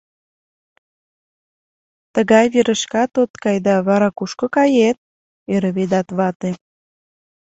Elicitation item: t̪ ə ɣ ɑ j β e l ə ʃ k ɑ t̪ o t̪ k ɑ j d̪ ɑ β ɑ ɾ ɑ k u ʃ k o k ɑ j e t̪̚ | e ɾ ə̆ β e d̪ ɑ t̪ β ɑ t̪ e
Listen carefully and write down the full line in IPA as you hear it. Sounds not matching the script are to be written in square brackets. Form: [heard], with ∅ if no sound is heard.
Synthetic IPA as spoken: t̪ ə ɣ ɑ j β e [ɾ] ə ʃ k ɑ t̪ o t̪ k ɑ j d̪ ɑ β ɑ ɾ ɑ k u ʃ k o k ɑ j e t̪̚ | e ɾ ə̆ β e d̪ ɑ t̪ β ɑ t̪ e